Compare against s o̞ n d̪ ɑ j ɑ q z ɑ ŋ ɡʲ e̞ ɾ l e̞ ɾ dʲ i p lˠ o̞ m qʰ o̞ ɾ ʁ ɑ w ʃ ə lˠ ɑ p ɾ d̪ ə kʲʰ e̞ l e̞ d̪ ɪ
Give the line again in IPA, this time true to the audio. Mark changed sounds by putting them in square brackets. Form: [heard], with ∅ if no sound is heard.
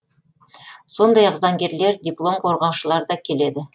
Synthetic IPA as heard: s o̞ n d̪ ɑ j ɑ q z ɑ ŋ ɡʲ e̞ ɾ l e̞ ɾ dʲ i p lˠ o̞ m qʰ o̞ ɾ ʁ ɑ w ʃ ə lˠ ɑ [∅] ɾ d̪ [ɑ] kʲʰ e̞ l e̞ d̪ ɪ